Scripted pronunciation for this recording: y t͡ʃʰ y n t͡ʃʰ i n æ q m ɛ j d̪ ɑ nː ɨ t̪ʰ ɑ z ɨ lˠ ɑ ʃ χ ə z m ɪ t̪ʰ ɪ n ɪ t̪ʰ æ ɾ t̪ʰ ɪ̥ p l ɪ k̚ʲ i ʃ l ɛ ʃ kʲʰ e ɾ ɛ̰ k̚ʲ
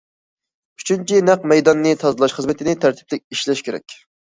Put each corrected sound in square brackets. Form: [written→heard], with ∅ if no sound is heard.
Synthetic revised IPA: y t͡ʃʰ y n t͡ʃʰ i n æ q m ɛ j d̪ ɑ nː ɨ t̪ʰ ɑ z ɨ lˠ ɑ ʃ χ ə z m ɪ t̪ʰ ɪ n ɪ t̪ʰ æ ɾ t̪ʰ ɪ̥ p l ɪ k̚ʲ i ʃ l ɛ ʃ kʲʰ e ɾ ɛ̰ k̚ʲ